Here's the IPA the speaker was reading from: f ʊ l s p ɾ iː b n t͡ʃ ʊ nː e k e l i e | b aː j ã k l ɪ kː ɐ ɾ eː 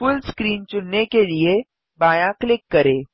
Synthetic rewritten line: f ʊ l s k ɾ iː n t͡ʃ ʊ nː e k e l i e | b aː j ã k l ɪ kː ɐ ɾ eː